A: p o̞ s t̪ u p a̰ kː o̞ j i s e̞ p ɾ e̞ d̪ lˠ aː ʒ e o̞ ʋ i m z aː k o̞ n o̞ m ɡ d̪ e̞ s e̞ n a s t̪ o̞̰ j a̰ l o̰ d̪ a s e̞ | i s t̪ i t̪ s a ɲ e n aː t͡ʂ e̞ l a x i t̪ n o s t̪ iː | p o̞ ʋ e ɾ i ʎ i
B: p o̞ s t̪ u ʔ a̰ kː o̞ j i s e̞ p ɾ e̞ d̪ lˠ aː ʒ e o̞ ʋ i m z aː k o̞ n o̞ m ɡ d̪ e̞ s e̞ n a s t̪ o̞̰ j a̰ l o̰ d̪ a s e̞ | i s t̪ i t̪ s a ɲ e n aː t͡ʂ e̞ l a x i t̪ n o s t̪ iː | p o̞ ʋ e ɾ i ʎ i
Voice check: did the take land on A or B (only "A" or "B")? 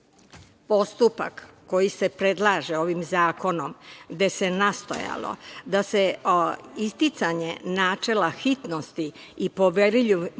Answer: A